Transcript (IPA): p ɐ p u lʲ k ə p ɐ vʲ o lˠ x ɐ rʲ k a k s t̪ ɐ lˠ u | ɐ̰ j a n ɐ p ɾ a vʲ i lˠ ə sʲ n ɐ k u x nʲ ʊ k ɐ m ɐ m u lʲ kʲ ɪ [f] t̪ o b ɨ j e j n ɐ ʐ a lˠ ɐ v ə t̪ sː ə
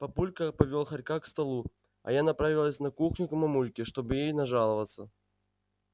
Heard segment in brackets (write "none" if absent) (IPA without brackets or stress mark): ʂ